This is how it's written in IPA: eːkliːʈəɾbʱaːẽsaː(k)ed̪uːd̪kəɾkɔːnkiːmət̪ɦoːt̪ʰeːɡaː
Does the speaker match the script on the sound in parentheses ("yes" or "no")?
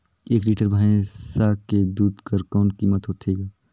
yes